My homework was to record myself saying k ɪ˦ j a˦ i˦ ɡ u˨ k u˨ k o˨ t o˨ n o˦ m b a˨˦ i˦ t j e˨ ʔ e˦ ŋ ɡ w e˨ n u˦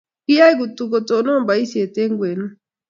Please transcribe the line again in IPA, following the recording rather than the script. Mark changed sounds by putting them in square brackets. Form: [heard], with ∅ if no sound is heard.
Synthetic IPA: k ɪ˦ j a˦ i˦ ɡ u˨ [t] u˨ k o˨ t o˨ n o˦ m b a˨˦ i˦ [s] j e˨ [t] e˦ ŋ ɡ w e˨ n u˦

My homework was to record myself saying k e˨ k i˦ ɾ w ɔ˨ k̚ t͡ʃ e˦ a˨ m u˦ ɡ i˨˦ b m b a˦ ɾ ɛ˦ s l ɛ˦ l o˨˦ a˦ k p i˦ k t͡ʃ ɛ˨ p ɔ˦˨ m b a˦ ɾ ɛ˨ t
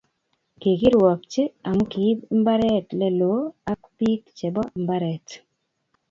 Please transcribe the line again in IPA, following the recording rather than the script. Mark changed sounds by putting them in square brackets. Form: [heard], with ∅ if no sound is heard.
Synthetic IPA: k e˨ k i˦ ɾ w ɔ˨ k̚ t͡ʃ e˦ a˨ m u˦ [k] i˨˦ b m b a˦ ɾ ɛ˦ [t] l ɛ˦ l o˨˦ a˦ k p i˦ k t͡ʃ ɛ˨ [b] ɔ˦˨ m b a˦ ɾ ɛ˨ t

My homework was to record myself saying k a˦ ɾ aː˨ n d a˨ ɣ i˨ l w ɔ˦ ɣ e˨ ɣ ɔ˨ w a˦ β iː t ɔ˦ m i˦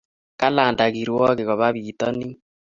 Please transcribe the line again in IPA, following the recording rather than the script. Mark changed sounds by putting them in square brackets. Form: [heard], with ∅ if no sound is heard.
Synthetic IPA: k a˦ [l] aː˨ n d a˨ ɣ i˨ [ɾ] w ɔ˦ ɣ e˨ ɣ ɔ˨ [β] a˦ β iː t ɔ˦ [n] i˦

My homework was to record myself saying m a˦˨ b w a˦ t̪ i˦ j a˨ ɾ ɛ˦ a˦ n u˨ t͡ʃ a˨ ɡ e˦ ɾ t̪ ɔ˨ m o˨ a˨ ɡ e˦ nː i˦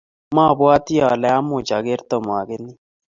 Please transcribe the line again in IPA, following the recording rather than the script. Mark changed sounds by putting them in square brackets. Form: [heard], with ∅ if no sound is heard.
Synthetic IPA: m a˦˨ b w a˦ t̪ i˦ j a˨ [l] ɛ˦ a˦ [m] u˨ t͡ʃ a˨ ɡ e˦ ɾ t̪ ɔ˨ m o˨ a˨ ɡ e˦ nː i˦

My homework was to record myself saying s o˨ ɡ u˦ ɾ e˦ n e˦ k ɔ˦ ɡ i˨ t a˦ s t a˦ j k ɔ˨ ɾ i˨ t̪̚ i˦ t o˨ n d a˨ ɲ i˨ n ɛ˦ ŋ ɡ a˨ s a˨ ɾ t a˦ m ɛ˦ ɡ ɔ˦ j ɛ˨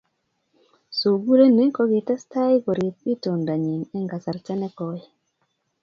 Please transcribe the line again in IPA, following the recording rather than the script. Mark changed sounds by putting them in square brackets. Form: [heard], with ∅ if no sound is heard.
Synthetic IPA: s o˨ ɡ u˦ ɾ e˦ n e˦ k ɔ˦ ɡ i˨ t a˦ s t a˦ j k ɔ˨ ɾ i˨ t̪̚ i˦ t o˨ n d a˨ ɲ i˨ n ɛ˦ ŋ ɡ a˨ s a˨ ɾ [t͡ʃ] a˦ [n] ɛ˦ [k] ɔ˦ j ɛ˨

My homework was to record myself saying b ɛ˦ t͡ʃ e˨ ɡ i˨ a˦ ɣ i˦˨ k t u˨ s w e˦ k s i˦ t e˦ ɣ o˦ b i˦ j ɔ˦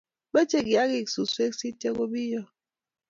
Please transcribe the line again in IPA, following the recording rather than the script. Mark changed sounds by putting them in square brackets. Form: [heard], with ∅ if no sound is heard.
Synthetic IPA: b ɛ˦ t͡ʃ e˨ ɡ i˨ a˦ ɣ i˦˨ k [s] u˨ s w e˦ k s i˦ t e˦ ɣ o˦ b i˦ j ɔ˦

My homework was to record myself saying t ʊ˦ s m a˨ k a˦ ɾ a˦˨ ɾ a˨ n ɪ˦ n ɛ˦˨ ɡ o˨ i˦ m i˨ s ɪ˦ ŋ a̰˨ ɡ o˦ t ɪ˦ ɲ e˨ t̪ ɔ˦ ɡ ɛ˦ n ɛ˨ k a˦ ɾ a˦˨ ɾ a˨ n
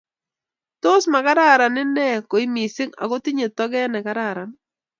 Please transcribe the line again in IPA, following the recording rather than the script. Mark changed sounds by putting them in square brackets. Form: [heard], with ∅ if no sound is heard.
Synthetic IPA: t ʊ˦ s m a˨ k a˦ ɾ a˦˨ ɾ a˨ n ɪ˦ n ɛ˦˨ [k] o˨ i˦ m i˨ s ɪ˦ ŋ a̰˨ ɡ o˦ t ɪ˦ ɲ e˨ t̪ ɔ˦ ɡ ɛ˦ n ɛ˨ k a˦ ɾ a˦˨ ɾ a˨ n

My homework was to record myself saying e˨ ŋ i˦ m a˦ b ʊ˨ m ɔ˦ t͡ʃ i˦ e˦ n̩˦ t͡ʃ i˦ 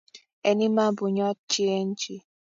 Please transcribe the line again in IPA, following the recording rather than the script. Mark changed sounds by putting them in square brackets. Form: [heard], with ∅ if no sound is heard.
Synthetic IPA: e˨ [n] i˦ m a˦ b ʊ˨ [ɲ] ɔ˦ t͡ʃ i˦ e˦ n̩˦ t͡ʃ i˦

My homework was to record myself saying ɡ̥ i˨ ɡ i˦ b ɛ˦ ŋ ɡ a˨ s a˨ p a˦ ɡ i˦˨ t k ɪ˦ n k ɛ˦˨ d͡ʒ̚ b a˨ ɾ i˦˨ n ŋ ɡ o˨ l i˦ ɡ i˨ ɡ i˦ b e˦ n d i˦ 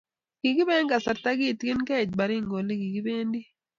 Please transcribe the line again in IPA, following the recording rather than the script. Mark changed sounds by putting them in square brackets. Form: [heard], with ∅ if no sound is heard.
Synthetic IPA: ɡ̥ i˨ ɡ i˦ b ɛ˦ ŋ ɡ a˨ s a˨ [t] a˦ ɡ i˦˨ t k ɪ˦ n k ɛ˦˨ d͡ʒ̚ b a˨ ɾ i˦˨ [∅] ŋ ɡ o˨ l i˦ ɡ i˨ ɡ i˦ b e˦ n d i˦

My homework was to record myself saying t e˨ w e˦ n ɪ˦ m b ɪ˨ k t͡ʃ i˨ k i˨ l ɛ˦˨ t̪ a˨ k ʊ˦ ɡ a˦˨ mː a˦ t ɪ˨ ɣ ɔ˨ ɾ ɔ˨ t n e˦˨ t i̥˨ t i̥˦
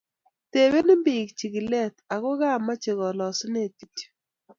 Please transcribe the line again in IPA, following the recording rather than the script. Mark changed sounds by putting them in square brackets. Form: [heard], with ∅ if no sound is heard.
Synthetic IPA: t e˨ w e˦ n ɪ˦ m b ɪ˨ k t͡ʃ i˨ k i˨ l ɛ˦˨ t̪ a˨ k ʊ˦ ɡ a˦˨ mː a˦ [t͡ʃ] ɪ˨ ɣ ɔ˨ [l] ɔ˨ [s] n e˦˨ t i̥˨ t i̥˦

